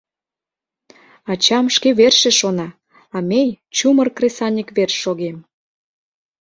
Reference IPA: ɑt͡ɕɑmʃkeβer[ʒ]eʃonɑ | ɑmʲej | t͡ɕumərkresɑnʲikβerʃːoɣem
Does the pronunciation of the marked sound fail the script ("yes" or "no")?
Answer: yes